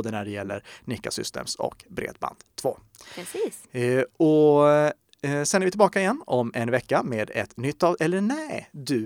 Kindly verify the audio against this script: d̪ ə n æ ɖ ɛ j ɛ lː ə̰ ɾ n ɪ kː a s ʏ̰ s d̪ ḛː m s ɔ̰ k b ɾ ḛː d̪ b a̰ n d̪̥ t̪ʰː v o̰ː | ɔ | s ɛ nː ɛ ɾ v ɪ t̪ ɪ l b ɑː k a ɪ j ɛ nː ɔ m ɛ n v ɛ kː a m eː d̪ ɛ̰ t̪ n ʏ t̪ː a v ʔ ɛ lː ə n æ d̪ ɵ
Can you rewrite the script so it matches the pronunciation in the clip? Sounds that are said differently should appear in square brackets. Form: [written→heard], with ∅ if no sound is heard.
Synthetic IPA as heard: d̪ ə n æ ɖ ɛ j ɛ lː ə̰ ɾ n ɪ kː a s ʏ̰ s [d̪→t̪] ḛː m s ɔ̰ k b ɾ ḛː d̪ b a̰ n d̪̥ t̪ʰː v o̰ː | ɔ | s ɛ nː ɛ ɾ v ɪ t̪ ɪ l b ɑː k a ɪ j ɛ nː ɔ m ɛ n v ɛ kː a m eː d̪ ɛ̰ t̪ n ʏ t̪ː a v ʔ ɛ lː ə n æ d̪ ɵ